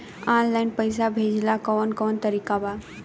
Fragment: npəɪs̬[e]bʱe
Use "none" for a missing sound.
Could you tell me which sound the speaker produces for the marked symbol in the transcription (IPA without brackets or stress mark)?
a